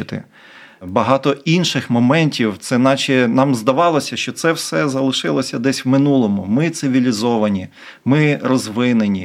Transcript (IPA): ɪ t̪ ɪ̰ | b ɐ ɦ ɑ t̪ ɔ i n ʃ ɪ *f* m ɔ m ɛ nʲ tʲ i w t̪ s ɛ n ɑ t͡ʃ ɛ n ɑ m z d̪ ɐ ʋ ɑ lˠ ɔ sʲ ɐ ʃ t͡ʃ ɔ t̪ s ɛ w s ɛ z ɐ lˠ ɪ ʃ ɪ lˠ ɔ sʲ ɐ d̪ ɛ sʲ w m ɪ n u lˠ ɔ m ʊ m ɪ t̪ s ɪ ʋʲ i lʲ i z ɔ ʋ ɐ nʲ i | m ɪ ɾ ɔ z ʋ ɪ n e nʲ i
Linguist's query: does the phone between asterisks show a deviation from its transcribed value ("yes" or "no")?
yes